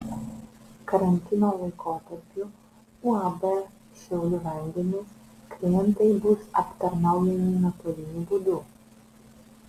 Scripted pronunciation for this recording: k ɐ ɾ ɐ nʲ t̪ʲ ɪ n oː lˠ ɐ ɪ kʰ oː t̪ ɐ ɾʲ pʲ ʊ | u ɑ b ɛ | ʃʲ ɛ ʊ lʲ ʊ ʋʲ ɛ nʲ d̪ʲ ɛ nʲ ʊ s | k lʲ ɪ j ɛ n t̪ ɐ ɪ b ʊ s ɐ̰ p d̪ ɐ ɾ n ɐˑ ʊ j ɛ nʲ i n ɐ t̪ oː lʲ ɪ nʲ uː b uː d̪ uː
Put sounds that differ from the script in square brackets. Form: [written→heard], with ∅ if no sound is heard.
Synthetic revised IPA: k ɐ ɾ ɐ nʲ t̪ʲ ɪ n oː lˠ ɐ ɪ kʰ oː t̪ ɐ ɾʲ pʲ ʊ | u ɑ b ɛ | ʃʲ ɛ ʊ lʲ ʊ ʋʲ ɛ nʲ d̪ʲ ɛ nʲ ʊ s | k lʲ ɪ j ɛ n t̪ ɐ ɪ b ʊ s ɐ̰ p [d̪→t̪] ɐ ɾ n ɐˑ ʊ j ɛ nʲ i n ɐ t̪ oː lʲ ɪ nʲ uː b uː d̪ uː